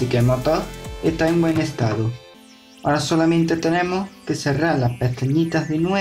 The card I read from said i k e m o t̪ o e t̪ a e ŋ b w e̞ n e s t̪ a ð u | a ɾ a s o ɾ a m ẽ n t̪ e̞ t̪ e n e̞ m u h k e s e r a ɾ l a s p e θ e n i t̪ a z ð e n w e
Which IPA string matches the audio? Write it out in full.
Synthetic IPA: i k e m o t̪ o e t̪ a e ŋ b w e̞ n e s t̪ a ð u | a ɾ a s o l a m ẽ n t̪ e̞ t̪ e n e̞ m o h k e s e r a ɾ l a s p e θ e ɲ i t̪ a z ð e n w e